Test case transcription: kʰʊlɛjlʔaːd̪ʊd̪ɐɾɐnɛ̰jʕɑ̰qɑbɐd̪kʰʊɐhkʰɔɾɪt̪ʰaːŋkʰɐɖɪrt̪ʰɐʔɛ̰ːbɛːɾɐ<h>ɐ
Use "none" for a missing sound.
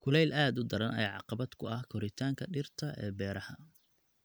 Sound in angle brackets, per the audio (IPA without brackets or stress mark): h